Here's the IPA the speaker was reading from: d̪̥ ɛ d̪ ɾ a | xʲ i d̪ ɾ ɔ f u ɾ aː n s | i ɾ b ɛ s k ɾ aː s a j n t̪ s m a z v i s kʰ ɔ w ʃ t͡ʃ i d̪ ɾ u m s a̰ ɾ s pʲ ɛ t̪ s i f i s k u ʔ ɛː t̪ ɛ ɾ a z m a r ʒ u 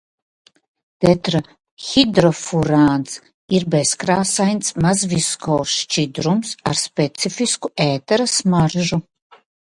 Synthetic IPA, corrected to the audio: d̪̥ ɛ t̪ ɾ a | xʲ i d̪ ɾ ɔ f u ɾ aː n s | i ɾ b ɛ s k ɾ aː s a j n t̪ s m a z v i s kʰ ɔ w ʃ t͡ʃ i d̪ ɾ u m s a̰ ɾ s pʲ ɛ t̪ s i f i s k u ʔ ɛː t̪ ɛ ɾ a s m a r ʒ u